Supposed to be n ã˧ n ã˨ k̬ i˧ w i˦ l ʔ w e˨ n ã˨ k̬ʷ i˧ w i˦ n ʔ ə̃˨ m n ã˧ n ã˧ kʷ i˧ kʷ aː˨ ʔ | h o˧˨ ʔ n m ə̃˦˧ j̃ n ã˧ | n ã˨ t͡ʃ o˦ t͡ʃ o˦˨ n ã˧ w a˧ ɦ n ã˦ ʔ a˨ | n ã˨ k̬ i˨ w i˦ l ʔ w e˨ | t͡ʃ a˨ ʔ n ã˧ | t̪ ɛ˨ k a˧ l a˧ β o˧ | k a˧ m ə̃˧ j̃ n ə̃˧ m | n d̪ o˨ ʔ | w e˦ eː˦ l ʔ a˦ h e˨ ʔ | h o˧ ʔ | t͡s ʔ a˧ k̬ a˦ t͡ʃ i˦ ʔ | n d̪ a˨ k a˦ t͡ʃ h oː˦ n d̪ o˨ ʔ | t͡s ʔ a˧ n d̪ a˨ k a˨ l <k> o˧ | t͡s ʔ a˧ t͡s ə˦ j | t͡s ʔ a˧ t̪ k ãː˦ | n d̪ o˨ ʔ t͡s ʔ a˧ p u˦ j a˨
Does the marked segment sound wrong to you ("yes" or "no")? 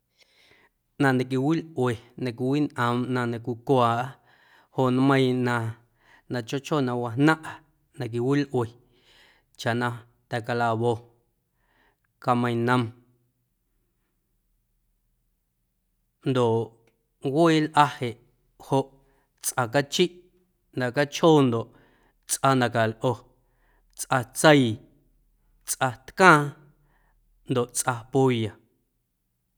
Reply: yes